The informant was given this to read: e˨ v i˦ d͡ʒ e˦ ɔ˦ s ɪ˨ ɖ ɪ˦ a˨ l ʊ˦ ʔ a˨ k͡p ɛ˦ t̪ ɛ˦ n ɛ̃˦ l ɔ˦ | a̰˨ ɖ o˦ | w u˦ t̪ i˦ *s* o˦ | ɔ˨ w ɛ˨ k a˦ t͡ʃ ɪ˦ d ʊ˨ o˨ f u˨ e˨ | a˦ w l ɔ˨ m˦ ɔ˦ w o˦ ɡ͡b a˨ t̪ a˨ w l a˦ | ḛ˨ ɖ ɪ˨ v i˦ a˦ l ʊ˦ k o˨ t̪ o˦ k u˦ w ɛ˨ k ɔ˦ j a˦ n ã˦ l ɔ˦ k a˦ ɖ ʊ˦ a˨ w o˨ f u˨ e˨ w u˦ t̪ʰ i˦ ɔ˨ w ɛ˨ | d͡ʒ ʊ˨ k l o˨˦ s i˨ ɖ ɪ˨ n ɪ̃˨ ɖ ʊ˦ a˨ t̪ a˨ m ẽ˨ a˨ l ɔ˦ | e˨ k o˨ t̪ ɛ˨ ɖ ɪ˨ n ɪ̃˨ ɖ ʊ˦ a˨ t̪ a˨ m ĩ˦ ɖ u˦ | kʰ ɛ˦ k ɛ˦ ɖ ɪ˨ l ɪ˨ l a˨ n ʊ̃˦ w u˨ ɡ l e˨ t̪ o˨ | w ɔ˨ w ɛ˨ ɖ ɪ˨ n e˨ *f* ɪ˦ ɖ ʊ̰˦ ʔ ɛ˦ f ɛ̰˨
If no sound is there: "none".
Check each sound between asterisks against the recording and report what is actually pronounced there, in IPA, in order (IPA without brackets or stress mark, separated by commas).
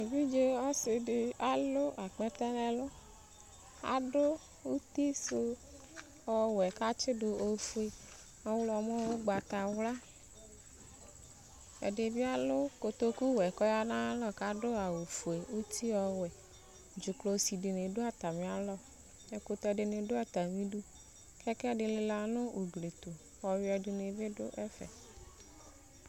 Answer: s, v